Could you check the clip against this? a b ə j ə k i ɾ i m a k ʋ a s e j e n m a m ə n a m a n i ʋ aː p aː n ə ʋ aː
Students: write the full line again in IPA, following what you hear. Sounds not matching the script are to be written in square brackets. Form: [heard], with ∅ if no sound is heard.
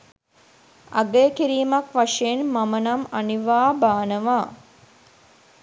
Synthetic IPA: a [ɡ] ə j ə k i ɾ [iː] m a k ʋ a [ʂ] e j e n m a m ə n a m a n i ʋ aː [b] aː n ə ʋ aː